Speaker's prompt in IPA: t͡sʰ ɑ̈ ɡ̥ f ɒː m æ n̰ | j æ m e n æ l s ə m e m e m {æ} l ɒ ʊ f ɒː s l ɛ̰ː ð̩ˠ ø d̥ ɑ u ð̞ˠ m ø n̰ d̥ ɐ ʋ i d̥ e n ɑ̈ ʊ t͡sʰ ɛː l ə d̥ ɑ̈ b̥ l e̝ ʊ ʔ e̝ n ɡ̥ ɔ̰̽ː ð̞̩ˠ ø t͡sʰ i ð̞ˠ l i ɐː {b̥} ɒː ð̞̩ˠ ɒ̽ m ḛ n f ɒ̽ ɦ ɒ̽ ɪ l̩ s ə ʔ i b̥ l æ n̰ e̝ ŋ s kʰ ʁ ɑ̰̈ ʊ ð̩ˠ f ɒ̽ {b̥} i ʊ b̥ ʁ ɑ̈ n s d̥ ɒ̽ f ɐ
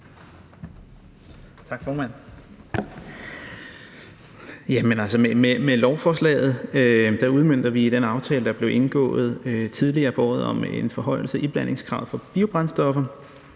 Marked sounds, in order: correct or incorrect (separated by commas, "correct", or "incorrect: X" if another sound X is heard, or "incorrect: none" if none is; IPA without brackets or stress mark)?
incorrect: e, correct, correct